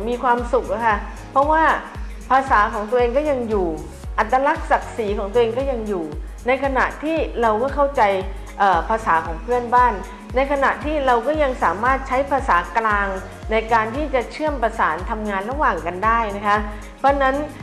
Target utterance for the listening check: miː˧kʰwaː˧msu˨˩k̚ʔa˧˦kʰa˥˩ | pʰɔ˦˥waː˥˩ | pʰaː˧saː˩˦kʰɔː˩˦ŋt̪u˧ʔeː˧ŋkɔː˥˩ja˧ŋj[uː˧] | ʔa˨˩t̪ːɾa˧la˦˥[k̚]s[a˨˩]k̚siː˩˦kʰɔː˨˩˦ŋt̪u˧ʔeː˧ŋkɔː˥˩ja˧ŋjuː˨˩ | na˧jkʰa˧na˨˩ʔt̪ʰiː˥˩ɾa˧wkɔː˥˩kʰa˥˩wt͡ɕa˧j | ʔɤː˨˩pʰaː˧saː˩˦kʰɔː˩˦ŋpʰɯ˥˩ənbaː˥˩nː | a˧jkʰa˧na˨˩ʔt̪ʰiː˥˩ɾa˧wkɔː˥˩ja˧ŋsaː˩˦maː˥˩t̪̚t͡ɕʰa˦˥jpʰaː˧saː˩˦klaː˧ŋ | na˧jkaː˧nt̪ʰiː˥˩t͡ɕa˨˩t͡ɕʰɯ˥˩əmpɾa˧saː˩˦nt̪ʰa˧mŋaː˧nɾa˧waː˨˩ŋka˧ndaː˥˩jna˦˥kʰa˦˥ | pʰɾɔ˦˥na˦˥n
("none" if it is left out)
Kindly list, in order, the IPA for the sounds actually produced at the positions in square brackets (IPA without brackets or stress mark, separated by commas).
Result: uː˨˩, k̚, a˨˩